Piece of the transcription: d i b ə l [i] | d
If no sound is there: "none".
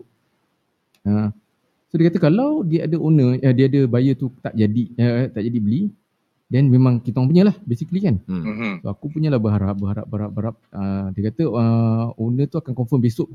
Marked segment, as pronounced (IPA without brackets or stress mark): i